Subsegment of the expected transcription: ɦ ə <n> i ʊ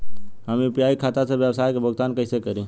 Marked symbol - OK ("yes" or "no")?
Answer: no